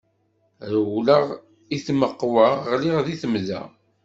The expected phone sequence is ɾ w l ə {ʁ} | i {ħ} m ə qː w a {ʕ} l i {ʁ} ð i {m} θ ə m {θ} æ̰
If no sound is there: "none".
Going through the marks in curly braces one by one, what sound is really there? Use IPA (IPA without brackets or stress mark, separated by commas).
ʁ, θ, ʁ, ʁ, none, ð